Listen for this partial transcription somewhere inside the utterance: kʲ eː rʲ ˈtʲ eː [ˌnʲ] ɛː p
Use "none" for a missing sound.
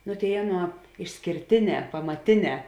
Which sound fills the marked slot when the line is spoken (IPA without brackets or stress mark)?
nʲ